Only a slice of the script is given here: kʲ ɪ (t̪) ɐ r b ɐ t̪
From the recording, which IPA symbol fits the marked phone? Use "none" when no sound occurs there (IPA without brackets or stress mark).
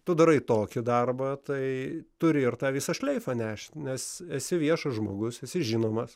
d̪